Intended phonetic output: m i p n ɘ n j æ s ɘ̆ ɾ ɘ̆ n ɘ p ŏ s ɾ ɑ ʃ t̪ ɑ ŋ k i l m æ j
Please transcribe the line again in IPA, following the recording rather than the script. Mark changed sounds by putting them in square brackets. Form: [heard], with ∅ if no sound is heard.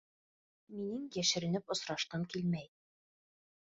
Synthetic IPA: m i [∅] n ɘ [ŋ] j æ [ʃ] ɘ̆ ɾ ɘ̆ n ɘ p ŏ s ɾ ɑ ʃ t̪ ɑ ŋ k i l m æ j